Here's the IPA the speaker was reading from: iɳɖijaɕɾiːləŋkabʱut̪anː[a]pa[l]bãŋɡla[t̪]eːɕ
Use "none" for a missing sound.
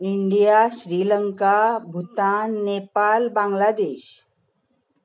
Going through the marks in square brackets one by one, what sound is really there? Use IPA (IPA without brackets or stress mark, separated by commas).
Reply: e, l, d̪